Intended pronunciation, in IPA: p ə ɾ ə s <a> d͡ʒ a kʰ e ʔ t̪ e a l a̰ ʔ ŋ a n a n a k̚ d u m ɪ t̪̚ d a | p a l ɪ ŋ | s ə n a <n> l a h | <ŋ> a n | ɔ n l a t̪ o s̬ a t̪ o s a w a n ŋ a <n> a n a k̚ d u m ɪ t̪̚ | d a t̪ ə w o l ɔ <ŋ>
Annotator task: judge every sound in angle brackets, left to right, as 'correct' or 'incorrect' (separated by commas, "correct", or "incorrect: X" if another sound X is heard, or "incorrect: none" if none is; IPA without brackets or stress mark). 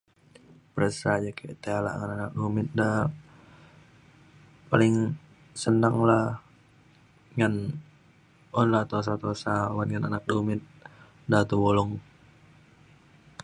correct, incorrect: ŋ, correct, correct, correct